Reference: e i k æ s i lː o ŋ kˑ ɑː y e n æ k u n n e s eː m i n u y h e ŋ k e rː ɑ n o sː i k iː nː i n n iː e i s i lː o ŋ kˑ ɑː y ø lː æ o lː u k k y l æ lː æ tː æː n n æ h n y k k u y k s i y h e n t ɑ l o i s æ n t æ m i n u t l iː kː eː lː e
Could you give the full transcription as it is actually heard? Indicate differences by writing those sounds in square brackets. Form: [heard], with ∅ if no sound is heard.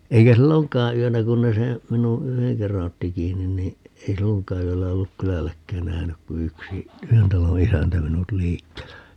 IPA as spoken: e i k æ s i lː o ŋ kˑ ɑː y [ø] n æ k u n n e s eː m i n u y h e ŋ k e rː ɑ n o [tː] i k iː nː i n n iː e i s i lː o ŋ kˑ ɑː y ø lː æ o lː u k k y l æ lː æ [kː] æː n n æ h n y k k u y k s i y h e n t ɑ l o i s æ n t æ m i n u t l iː kː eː lː [æ]